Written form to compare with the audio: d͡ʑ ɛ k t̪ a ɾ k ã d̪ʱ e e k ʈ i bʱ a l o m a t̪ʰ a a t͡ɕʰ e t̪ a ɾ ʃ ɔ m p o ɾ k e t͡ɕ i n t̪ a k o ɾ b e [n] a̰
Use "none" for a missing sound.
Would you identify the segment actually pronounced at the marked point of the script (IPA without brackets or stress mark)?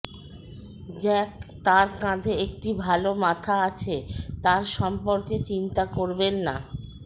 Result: nː